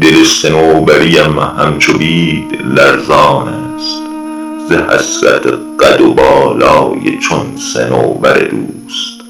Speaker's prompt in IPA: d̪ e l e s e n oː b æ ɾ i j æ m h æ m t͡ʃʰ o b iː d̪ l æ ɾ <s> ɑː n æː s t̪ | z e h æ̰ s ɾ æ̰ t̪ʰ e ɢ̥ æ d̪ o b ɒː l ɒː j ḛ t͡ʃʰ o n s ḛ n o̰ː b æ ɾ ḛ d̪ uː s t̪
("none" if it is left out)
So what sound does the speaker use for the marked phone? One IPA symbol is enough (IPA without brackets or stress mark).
z